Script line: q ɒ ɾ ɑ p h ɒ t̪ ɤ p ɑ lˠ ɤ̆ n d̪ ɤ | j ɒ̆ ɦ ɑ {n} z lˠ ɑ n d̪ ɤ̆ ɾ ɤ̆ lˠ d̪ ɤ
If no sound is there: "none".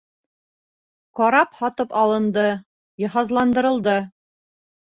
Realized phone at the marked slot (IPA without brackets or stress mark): none